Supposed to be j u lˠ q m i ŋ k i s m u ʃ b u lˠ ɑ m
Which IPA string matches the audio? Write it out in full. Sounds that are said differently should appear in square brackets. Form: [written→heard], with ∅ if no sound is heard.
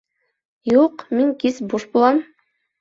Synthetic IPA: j u [lˠ→∅] q m i ŋ k i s [m→b] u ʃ b u lˠ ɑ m